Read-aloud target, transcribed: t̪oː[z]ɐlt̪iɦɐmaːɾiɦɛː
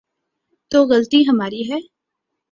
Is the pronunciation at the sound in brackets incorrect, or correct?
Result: incorrect